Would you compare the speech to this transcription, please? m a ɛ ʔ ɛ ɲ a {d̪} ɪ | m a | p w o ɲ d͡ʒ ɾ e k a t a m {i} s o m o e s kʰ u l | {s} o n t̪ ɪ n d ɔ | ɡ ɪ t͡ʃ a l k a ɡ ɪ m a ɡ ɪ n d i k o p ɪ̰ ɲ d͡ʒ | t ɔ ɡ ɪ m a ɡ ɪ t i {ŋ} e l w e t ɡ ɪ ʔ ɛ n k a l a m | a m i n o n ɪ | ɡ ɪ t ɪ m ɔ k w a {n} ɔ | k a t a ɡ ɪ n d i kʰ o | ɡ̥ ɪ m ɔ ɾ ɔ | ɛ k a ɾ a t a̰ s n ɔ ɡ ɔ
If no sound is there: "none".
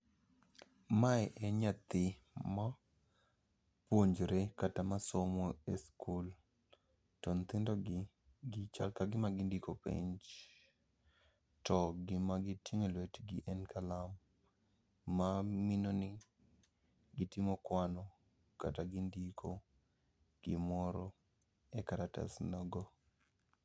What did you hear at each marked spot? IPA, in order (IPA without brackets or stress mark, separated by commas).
t̪, a, t, ŋ, n